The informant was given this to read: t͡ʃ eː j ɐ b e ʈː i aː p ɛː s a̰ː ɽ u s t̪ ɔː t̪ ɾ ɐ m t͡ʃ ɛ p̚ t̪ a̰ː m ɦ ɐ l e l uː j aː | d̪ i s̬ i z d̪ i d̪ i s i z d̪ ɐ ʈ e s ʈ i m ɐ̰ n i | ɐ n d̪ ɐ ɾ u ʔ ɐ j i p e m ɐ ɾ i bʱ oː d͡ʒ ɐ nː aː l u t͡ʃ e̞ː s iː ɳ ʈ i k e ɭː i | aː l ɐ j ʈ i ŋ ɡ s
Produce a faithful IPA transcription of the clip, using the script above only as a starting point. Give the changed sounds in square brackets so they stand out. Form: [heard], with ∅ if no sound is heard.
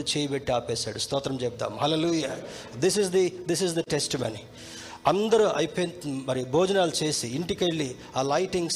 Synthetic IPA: t͡ʃ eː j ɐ b e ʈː i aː p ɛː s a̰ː ɽ u s t̪ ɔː t̪ ɾ ɐ m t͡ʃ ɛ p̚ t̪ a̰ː m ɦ ɐ l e l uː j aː | d̪ i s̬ i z d̪ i d̪ i s i z d̪ ɐ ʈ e s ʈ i m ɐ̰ n i | ɐ n d̪ ɐ ɾ u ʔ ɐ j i p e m ɐ ɾ i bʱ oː d͡ʒ ɐ [n] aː l u t͡ʃ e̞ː s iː ɳ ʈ i k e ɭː i | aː l ɐ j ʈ i ŋ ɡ s